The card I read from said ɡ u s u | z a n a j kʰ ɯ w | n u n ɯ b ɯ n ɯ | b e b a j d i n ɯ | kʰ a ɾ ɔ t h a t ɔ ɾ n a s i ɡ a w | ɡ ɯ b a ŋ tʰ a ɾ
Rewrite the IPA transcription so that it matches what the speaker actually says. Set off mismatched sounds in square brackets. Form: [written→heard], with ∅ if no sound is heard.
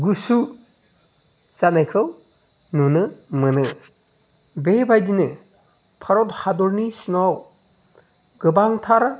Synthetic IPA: ɡ u s u | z a n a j kʰ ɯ w | n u n ɯ [b→m] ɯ n ɯ | b e b a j d i n ɯ | [kʰ→pʰ] a ɾ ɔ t h a [t→d] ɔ ɾ n [a→i] s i [ɡ→ŋ] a w | ɡ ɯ b a ŋ tʰ a ɾ